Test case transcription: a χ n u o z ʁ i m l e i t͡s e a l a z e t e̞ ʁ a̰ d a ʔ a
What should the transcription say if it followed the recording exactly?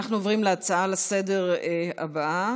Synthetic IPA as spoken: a χ n u o v ʁ i m l e a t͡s a a l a s e d e̞ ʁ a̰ b a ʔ a